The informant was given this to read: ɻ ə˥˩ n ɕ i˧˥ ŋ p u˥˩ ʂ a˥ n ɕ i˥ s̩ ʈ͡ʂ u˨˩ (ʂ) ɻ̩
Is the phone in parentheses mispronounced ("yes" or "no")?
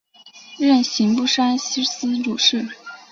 no